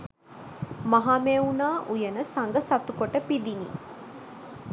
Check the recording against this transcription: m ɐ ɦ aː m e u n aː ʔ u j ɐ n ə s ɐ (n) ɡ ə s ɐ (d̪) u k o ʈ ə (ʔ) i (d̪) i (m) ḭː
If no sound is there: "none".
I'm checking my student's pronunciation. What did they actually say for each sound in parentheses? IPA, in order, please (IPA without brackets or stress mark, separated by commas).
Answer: ŋ, t̪, p, d̪, n